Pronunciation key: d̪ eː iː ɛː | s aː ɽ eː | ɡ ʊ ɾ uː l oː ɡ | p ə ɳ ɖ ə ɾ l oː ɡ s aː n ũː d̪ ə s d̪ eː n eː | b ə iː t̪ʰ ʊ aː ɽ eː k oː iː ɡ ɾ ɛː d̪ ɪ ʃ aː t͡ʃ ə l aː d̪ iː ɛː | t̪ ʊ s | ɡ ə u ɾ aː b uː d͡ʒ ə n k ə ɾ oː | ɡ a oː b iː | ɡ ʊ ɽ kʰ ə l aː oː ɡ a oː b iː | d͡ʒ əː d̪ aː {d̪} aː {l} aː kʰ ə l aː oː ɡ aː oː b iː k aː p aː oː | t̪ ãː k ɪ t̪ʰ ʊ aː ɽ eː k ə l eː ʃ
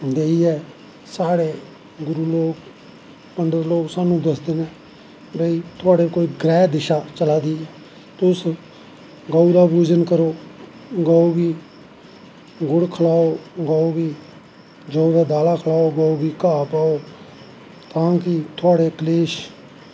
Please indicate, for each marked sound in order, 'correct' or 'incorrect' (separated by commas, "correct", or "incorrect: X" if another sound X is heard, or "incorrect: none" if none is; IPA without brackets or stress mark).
correct, correct